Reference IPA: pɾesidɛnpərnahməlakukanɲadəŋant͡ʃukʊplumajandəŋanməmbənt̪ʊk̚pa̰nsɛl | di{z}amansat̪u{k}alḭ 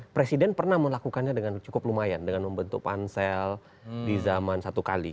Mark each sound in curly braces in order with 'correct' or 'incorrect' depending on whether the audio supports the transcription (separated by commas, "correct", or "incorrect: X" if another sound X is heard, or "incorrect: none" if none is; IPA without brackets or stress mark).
correct, correct